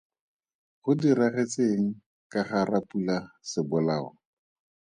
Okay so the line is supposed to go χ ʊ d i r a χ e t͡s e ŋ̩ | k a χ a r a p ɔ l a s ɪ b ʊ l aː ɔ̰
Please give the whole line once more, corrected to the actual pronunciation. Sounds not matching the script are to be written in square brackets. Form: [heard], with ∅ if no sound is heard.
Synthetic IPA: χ ʊ d i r a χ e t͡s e ŋ̩ | k a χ a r a p [u] l a s ɪ b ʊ l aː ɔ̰